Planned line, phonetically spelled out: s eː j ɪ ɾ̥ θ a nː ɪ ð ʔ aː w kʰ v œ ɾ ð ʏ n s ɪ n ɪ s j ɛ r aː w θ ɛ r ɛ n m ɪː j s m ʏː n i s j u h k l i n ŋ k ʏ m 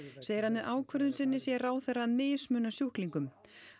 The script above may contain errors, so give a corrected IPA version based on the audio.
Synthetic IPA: s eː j ɪ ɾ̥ h a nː ɪ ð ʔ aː w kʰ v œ ɾ ð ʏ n s ɪ nː ɪ s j ɛ r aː w θ ɛ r a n m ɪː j s m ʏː n a s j u h k l i ŋ k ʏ m

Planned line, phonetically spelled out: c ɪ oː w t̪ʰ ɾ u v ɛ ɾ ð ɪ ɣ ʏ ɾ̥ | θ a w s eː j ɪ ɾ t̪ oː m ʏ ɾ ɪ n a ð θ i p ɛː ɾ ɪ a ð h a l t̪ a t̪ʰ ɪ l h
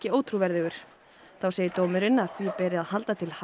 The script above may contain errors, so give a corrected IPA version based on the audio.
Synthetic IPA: c ɪ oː w t̪ʰ ɾ u v ɛ ɾ ð ɪ ɣ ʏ ɾ̥ | θ a w s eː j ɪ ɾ t̪ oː m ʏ ɾ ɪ n a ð θ i p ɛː ɾ ɪ a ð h a l t̪ a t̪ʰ ɪ l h

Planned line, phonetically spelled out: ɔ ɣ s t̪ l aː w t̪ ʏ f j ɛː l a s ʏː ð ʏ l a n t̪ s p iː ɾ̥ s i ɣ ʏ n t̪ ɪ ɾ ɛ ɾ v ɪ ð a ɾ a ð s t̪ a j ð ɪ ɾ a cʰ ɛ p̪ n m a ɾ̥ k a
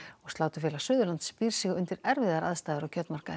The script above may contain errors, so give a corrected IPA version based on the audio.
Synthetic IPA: ɔ ɣ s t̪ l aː w t̪ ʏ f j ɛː l a s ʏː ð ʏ l a n t̪ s p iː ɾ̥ s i ɣ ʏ n t̪ ɪ ɾ ɛ ɾ v ɪ ð a ɾ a ð s t̪ a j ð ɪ ɾ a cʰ œ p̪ n m a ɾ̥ k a

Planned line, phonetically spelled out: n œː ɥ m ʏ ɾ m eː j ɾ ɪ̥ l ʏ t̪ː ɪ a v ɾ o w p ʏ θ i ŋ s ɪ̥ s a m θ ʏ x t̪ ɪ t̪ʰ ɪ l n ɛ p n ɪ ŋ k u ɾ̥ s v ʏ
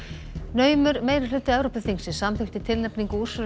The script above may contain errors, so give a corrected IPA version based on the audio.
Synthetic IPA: n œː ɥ m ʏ ɾ m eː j ɾ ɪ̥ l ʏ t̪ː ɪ ɛ v ɾ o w p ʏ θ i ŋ s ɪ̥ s a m θ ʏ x t̪ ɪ t̪ʰ ɪ l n ɛ p n i ŋ k u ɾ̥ s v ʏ

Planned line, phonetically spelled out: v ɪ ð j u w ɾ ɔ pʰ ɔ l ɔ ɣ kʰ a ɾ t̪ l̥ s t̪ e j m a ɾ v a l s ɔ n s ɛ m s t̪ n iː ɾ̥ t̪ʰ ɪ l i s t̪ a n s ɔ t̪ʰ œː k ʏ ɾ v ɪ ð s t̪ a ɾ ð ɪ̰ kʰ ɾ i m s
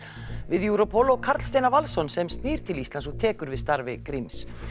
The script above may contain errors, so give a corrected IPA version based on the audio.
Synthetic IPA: v ɪ ð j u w ɾ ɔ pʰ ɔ l ɔ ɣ kʰ a ɾ t̪ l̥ s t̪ e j n a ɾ v a l s ɔ n s ɛ m s t̪ n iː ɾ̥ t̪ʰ ɪ l i s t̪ a n s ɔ t̪ʰ ɛː k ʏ ɾ v ɪ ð s t̪ a ɾ v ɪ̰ k ɾ i m s

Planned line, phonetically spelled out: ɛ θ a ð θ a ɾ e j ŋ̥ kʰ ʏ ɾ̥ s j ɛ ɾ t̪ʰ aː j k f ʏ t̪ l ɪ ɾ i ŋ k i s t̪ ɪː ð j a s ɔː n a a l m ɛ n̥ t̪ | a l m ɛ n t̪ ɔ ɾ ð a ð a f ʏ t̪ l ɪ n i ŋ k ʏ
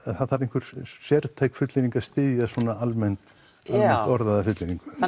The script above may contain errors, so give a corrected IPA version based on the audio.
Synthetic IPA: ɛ θ a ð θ a ɾ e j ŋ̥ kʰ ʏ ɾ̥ s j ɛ ɾ t̪ʰ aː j k f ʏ t̪ l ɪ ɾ i ŋ k a s t̪ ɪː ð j a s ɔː n a a l m ɛ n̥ t̪ | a l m ɛ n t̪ ɔ ɾ ð a ð a f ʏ t̪ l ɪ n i ŋ k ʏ

